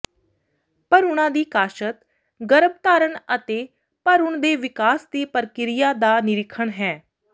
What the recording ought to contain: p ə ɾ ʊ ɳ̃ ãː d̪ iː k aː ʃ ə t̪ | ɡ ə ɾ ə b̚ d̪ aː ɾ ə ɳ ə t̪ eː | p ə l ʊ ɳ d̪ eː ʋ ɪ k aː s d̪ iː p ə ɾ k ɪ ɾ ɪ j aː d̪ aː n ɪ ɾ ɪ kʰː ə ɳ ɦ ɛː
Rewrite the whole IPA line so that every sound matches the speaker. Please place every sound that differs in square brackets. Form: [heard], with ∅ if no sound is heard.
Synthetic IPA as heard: p ə ɾ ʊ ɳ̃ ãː d̪ iː k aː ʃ ə t̪ | ɡ ə ɾ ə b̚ [t̪] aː ɾ ə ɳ ə t̪ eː | p ə [ɾ] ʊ ɳ d̪ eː ʋ ɪ k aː s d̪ iː p ə ɾ k ɪ ɾ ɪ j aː d̪ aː n ɪ ɾ ɪ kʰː ə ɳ ɦ ɛː